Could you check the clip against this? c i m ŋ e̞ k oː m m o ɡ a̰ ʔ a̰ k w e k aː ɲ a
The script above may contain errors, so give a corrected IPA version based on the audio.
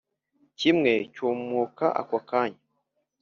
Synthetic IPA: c i m ŋ e̞ c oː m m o k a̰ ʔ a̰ k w a k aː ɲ a